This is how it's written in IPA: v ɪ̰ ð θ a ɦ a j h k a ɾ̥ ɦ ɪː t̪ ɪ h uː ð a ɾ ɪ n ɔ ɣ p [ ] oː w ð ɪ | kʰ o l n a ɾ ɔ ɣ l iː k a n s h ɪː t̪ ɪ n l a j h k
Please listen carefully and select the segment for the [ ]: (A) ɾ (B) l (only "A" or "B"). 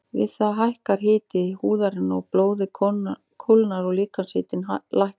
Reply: B